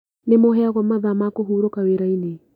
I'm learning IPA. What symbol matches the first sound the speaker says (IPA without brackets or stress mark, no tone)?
n